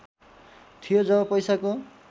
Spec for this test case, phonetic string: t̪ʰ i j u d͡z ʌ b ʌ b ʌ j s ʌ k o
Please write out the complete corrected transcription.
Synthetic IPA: t̪ʰ i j o d͡z ʌ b ʌ p ʌ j s a k o